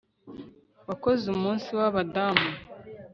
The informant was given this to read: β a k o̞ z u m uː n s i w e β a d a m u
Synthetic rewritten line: w a k o̞ z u m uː n s i w a β a d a m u